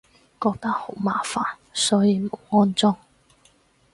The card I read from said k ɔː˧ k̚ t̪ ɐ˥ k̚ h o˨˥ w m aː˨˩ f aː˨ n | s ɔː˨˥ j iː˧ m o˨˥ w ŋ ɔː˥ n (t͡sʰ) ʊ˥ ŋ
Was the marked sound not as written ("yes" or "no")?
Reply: yes